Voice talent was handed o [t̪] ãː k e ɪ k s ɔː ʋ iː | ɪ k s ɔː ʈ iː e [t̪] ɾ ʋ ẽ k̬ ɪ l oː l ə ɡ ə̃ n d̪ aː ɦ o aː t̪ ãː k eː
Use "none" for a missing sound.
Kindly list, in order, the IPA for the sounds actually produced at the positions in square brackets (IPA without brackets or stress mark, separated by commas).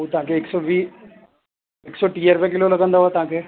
t̪, none